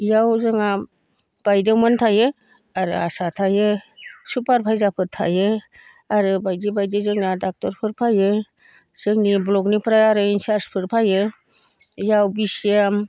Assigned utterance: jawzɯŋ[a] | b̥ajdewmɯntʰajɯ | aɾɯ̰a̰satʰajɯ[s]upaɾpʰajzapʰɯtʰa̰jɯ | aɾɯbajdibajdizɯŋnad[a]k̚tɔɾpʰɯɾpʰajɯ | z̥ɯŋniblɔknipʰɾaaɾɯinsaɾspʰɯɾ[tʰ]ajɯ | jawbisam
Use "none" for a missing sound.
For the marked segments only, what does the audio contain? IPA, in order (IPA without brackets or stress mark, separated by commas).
a, s, a, pʰ